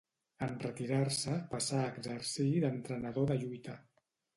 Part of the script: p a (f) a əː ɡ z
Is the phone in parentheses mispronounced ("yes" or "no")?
yes